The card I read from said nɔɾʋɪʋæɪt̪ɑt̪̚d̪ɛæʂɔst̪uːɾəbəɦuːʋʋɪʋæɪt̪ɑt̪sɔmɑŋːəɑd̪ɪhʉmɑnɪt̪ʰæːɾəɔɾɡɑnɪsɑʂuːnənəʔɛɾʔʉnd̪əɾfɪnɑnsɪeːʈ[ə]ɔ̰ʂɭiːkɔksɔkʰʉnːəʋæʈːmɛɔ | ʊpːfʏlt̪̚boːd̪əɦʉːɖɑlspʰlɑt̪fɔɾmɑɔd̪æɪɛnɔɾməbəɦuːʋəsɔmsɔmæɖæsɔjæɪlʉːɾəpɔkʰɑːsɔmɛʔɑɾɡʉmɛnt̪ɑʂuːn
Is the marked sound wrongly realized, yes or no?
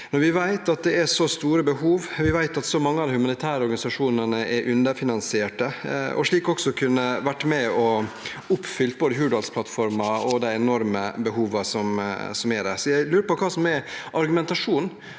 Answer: no